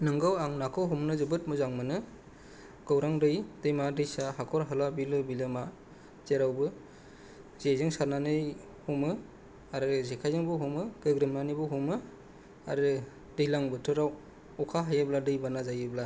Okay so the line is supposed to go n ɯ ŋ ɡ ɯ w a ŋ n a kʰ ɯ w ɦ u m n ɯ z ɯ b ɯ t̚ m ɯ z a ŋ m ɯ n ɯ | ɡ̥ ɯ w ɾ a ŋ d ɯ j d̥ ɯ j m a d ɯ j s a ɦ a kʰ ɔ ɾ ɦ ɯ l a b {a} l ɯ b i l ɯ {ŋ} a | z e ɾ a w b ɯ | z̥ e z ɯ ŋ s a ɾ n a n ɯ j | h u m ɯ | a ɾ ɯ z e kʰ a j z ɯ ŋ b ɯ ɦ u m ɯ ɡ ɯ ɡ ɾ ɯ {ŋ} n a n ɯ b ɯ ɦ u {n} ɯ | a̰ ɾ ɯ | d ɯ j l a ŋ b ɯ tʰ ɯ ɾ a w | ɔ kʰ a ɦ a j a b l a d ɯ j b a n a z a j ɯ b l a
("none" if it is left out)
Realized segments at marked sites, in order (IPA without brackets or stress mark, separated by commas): i, m, m, m